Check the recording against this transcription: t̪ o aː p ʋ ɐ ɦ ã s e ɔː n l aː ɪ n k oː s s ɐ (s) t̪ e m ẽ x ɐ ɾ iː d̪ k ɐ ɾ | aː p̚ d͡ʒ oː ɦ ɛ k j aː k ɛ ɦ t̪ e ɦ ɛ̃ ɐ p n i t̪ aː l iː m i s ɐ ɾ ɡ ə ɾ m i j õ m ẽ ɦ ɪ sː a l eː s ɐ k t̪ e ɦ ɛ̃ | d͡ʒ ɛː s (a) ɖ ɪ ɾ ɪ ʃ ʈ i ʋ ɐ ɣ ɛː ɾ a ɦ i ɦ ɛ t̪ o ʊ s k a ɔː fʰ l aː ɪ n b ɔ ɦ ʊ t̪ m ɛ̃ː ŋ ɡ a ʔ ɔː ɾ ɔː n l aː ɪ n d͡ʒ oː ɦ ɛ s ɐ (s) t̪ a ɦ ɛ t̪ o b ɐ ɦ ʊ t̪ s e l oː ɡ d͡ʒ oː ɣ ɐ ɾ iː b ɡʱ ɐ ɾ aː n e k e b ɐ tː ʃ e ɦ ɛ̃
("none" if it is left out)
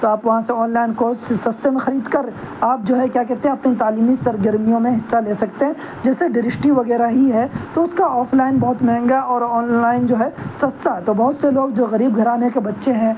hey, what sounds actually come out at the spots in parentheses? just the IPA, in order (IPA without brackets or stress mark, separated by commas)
s, e, s